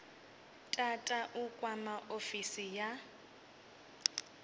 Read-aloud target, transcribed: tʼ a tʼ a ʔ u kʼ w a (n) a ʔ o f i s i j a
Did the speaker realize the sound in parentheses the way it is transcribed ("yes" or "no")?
no